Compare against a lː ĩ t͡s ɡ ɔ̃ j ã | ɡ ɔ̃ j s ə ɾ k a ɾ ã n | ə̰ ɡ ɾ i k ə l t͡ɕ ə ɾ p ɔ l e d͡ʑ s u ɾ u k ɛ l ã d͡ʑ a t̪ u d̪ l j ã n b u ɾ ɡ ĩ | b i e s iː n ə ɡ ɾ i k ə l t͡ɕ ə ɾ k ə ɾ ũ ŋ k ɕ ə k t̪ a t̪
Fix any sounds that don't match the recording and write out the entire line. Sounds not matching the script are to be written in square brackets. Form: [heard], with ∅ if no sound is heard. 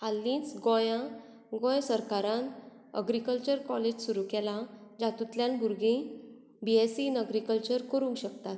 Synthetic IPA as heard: a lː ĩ t͡s ɡ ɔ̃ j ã | ɡ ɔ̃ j s ə ɾ k a ɾ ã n | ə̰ ɡ ɾ i k ə l t͡ɕ ə ɾ [k] ɔ l e d͡ʑ s u ɾ u k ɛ l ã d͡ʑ a t̪ u [t̪] l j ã n b u ɾ ɡ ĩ | b i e s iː n ə ɡ ɾ i k ə l t͡ɕ ə ɾ k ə ɾ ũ ŋ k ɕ ə k t̪ a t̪